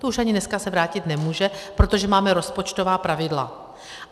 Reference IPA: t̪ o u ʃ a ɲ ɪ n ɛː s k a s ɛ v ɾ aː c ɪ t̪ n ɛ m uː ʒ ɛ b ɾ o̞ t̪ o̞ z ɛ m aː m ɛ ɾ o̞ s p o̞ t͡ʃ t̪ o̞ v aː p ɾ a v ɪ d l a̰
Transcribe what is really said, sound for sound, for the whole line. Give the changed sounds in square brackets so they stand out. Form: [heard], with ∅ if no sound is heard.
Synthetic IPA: t̪ o u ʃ a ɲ ɪ n [ɛ] s k a s ɛ v ɾ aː c ɪ t̪ n ɛ m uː ʒ ɛ [p] ɾ o̞ t̪ o̞ [ʒ] ɛ m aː m ɛ ɾ o̞ s p o̞ t͡ʃ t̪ o̞ v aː p ɾ a v ɪ d l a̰